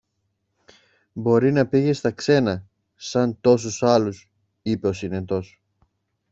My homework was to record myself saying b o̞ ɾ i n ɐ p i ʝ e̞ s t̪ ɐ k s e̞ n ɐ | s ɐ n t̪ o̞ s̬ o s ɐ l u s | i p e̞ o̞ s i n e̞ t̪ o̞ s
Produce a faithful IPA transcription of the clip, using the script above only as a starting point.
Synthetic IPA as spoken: b o̞ ɾ i n ɐ p i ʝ e̞ s t̪ ɐ k s e̞ n ɐ | s ɐ n t̪ o̞ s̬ u s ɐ l u s | i p e̞ o̞ s i n e̞ t̪ o̞ s